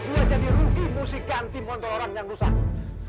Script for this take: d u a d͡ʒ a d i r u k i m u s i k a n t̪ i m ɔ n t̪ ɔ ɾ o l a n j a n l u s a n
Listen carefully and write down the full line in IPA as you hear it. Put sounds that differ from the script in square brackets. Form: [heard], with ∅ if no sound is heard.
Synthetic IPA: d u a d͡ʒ a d i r u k i m u s i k a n t̪ i m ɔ n t̪ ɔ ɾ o [ɾ] a [ŋ] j a [ŋ] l u s a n